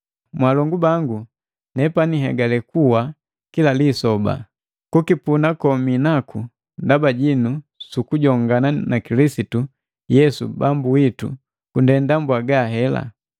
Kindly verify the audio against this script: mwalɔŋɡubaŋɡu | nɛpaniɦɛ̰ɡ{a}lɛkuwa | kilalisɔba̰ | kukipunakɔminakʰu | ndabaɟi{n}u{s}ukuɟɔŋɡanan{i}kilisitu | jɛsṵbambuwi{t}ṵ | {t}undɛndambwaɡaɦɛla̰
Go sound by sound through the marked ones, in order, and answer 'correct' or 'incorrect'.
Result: correct, correct, correct, incorrect: a, correct, incorrect: k

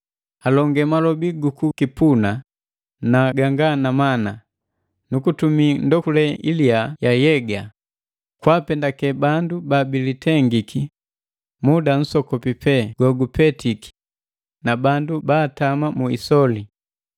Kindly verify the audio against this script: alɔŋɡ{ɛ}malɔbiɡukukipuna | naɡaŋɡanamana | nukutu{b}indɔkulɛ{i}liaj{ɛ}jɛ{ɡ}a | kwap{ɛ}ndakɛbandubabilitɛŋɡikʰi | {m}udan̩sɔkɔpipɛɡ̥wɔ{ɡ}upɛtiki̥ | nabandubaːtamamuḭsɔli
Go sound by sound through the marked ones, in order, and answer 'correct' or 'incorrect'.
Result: correct, incorrect: m, correct, incorrect: a, correct, correct, correct, correct

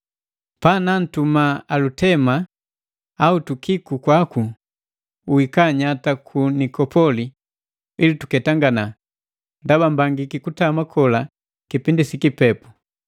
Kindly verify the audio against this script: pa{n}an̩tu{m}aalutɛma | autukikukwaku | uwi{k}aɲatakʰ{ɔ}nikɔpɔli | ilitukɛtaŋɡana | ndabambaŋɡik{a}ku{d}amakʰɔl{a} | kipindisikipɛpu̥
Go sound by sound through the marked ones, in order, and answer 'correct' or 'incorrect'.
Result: correct, correct, correct, incorrect: u, incorrect: i, incorrect: t, correct

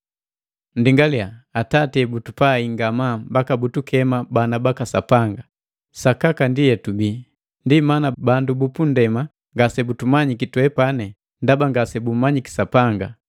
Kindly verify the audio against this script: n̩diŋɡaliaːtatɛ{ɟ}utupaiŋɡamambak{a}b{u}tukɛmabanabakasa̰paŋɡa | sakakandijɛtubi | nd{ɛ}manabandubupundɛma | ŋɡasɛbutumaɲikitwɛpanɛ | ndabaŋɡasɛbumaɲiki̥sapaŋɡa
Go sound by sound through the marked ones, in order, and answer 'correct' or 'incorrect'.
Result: incorrect: b, correct, correct, incorrect: i

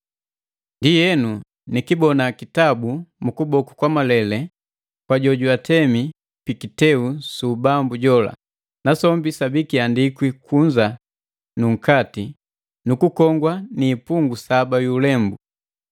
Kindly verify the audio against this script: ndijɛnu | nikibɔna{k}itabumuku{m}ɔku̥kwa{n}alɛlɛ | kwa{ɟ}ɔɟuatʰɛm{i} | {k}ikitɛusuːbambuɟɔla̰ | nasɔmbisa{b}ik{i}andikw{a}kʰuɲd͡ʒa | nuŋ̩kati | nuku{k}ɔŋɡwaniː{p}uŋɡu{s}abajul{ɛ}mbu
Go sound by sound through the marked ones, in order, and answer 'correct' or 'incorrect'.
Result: correct, incorrect: b, incorrect: m, correct, correct, incorrect: p, correct, correct, incorrect: i, correct, correct, correct, correct

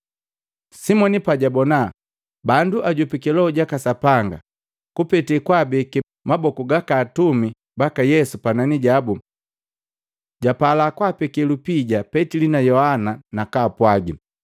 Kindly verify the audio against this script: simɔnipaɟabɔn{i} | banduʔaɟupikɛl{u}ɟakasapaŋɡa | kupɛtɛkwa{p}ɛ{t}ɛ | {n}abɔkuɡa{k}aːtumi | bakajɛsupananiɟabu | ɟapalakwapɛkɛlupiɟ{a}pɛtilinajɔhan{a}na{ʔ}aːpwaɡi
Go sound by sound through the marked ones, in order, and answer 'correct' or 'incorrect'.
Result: incorrect: a, incorrect: ɔ, incorrect: b, incorrect: k, incorrect: m, correct, correct, correct, incorrect: k

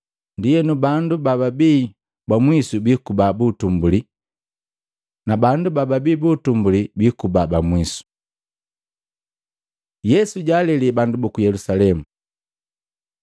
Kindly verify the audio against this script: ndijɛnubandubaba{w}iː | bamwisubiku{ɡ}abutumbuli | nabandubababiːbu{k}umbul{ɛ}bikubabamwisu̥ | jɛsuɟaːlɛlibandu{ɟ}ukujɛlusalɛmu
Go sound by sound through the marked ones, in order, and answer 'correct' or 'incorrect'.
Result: incorrect: b, incorrect: b, incorrect: t, incorrect: i, incorrect: b

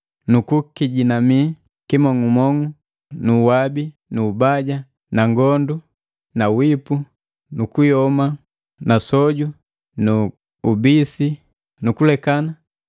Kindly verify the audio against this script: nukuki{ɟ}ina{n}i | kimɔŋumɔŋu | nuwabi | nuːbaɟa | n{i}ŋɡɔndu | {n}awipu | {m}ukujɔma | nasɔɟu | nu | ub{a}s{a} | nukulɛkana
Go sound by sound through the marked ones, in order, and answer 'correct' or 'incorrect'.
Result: correct, incorrect: m, incorrect: a, correct, incorrect: n, incorrect: i, incorrect: i

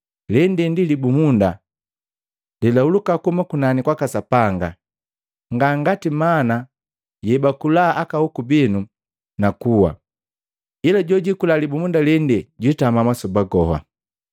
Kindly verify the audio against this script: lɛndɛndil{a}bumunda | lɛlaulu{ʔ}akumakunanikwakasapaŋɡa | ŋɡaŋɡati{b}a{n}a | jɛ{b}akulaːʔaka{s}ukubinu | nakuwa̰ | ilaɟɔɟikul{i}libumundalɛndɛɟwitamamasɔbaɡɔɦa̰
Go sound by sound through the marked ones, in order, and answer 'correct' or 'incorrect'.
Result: incorrect: i, incorrect: k, incorrect: m, correct, correct, incorrect: h, incorrect: a

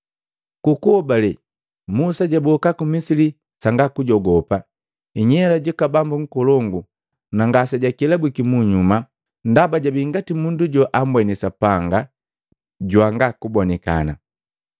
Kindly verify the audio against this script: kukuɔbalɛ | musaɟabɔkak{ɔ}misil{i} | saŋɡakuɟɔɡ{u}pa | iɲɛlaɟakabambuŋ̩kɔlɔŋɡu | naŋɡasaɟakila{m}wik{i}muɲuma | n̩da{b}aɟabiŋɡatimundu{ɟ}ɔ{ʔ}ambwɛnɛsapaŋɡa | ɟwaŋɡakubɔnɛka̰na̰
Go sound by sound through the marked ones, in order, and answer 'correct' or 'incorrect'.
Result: incorrect: u, correct, incorrect: ɔ, incorrect: b, correct, correct, correct, correct

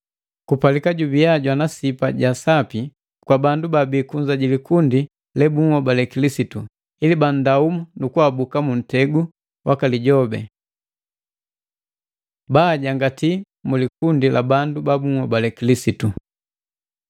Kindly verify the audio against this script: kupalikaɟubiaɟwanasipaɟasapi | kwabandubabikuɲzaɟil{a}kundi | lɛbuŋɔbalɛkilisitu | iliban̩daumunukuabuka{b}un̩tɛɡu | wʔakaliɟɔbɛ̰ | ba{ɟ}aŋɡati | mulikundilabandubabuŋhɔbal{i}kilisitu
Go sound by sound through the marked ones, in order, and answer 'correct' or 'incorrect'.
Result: incorrect: i, incorrect: m, correct, incorrect: ɛ

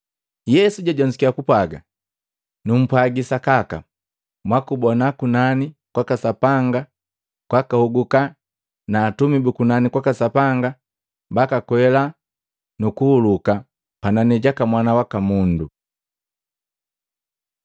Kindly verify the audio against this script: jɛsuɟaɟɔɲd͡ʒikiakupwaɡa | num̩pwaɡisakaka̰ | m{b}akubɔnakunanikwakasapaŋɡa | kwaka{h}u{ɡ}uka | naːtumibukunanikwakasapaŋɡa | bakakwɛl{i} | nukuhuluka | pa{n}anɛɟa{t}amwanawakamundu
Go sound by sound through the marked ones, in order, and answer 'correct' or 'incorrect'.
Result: incorrect: w, correct, correct, incorrect: a, correct, incorrect: k

